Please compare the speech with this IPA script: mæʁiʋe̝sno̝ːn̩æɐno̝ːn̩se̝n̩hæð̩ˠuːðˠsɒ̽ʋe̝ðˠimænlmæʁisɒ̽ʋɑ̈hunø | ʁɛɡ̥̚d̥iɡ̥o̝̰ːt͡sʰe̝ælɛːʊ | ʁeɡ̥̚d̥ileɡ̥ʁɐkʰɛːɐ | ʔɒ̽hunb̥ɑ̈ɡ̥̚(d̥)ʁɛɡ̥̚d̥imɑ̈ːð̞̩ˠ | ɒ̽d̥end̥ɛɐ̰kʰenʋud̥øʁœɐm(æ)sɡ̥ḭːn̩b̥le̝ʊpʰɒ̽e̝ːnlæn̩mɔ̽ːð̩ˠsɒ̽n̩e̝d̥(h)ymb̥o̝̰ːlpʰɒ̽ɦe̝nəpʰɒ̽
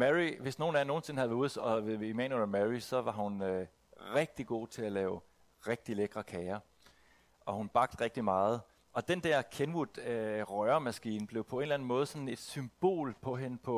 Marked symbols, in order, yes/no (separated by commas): yes, yes, no